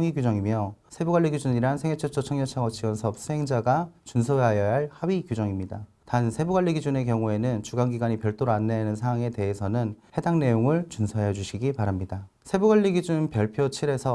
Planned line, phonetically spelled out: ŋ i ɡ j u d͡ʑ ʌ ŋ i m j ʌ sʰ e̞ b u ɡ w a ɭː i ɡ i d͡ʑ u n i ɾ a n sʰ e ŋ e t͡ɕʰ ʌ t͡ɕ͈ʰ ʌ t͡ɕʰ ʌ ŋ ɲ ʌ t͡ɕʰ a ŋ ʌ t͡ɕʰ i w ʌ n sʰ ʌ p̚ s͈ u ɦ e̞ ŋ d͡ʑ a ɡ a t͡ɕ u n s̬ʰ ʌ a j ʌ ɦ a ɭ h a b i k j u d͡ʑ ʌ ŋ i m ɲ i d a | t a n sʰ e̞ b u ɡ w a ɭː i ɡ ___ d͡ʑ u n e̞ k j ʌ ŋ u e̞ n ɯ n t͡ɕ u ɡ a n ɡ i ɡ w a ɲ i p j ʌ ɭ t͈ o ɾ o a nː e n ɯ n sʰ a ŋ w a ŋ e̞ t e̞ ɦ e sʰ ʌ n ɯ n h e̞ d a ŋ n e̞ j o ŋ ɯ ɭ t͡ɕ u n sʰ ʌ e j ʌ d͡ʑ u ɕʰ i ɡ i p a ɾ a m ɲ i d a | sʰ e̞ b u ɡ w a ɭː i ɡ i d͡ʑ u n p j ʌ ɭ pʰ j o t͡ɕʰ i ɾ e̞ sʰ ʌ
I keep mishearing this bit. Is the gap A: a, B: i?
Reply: B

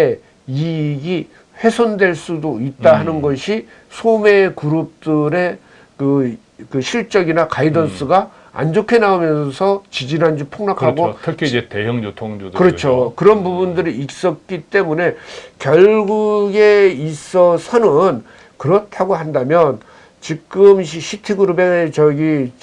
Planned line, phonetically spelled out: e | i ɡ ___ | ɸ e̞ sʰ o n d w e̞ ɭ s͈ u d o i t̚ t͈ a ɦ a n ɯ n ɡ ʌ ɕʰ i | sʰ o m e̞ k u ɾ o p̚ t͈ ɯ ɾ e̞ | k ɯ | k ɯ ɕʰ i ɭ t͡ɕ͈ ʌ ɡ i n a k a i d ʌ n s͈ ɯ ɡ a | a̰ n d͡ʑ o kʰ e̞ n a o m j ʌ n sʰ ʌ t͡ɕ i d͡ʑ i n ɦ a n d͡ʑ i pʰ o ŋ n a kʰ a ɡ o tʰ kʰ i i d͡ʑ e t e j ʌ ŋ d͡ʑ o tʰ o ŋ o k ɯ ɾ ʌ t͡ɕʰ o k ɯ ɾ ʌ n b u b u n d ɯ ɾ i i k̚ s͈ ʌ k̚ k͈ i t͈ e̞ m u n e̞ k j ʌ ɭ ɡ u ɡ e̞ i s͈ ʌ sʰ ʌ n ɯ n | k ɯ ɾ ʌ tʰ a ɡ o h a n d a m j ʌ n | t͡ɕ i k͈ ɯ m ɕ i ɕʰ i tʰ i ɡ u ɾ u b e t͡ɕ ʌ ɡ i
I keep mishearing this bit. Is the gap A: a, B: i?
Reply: B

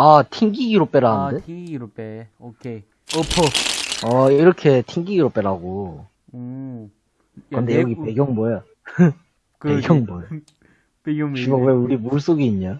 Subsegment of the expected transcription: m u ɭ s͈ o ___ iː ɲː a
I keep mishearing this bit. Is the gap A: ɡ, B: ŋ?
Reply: A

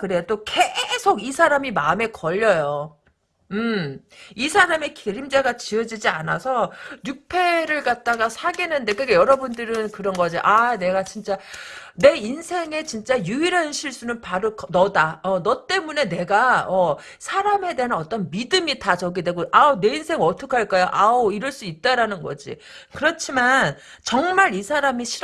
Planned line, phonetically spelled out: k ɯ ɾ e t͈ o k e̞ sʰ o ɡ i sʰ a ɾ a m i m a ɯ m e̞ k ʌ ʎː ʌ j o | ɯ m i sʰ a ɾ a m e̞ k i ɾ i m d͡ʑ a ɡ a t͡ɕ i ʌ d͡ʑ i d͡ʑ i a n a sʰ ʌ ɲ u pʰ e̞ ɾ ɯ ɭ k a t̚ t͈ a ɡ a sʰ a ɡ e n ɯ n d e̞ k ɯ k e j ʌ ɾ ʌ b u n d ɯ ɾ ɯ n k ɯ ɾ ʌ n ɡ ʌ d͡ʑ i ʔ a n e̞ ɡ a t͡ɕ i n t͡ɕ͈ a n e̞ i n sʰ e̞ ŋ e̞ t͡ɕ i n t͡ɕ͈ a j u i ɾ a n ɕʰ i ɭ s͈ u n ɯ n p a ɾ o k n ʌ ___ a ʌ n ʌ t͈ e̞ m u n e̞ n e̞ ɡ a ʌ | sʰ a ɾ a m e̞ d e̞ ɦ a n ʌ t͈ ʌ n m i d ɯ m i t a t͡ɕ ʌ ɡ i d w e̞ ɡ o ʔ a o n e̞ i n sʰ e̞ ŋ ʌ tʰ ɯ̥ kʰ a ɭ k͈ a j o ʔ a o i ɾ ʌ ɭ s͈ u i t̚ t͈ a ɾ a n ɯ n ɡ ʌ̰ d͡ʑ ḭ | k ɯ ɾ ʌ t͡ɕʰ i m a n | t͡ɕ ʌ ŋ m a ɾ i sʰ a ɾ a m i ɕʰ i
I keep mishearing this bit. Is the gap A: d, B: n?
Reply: A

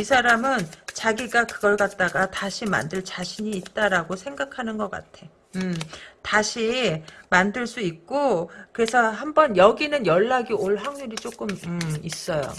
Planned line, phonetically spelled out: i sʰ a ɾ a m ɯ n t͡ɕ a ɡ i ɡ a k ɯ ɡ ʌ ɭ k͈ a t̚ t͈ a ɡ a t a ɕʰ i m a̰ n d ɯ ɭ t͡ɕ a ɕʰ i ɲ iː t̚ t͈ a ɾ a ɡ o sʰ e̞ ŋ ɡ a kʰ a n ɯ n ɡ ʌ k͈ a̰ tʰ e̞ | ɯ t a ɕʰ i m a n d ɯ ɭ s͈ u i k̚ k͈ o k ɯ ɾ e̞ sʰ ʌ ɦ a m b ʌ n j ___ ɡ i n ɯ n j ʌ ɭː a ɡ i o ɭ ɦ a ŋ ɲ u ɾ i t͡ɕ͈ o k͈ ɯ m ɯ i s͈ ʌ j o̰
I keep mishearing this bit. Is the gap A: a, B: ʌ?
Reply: B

